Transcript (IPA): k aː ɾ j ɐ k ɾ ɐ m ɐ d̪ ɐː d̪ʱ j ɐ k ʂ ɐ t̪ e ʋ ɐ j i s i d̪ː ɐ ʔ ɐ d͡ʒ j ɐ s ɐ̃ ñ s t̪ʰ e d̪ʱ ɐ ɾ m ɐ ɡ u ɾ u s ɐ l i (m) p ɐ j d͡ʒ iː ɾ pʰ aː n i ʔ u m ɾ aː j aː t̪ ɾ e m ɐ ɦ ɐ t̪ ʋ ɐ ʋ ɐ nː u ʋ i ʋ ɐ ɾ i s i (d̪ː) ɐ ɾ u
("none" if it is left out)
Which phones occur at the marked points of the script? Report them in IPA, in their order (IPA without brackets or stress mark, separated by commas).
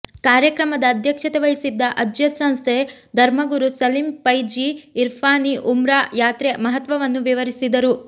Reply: m, d̪